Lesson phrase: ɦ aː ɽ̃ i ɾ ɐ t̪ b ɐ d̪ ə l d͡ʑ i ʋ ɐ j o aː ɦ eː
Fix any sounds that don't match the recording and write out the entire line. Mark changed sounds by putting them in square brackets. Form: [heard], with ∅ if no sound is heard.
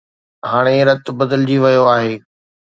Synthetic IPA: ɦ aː ɽ̃ [e] ɾ ɐ t̪ b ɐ d̪ ə l d͡ʑ i ʋ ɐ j o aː ɦ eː